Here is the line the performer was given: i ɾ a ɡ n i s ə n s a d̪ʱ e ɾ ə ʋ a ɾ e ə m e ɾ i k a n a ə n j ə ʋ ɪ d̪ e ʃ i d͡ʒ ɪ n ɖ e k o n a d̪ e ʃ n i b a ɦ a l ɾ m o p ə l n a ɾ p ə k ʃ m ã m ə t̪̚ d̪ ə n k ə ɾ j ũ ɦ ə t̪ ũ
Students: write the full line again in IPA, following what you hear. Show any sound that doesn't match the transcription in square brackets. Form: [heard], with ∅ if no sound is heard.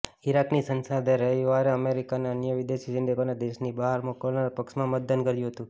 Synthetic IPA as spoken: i ɾ a [k] n i s ə n s a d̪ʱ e ɾ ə ʋ a ɾ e ə m e ɾ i k a n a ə n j ə ʋ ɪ d̪ e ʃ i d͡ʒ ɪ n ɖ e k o n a d̪ e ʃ n i b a ɦ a [∅] ɾ m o [k] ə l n a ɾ p ə k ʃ m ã m ə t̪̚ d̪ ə n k ə ɾ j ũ ɦ ə t̪ ũ